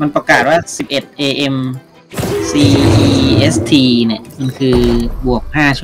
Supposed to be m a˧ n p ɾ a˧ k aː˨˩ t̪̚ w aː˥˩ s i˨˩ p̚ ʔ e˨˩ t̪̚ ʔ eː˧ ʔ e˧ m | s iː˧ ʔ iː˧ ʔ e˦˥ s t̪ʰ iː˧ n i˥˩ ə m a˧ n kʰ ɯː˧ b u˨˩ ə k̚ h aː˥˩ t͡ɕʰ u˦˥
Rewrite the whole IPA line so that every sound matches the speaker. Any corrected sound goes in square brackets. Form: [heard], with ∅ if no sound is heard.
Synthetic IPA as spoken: m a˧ n p ɾ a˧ k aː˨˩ t̪̚ w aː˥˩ s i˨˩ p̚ ʔ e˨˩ t̪̚ ʔ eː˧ ʔ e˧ m | s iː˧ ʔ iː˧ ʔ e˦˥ s t̪ʰ iː˧ n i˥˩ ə m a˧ n kʰ ɯː˧ b u˨˩ ə k̚ h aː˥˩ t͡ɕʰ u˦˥

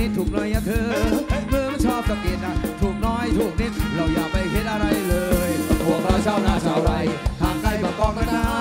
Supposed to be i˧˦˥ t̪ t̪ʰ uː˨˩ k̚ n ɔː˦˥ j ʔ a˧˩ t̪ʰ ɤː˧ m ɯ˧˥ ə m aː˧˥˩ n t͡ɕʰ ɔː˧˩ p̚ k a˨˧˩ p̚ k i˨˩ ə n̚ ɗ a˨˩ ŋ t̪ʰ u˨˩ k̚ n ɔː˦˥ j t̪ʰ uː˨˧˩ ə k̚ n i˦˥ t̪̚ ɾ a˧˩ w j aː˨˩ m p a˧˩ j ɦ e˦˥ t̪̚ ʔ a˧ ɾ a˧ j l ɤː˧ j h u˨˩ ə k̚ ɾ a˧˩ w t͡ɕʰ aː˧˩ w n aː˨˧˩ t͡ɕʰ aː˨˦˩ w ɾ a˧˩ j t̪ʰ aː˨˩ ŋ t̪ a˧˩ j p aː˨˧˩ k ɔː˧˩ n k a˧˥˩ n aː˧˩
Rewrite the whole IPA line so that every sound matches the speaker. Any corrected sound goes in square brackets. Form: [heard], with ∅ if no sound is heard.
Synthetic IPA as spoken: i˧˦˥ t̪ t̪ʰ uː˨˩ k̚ n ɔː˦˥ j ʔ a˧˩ t̪ʰ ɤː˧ m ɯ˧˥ ə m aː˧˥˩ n t͡ɕʰ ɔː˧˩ p̚ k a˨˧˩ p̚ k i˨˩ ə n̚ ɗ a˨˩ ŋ t̪ʰ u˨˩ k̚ n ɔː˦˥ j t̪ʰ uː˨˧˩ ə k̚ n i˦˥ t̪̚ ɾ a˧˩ w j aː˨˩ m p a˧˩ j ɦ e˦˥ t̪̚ ʔ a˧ ɾ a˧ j l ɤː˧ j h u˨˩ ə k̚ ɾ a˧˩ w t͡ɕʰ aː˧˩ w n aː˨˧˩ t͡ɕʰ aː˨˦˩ w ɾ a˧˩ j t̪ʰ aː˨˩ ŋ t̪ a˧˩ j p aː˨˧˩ k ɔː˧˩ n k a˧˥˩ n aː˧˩

